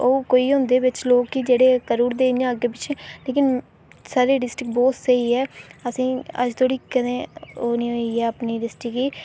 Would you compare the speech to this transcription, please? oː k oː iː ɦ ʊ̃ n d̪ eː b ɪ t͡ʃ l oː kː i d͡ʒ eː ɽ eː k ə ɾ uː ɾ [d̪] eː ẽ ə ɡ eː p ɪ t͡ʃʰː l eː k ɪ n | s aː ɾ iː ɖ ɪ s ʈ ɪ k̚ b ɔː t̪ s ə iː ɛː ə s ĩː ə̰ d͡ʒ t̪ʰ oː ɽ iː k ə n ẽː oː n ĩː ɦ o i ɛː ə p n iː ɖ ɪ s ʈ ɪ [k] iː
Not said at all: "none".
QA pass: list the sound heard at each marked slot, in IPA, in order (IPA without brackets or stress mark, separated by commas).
d̪, k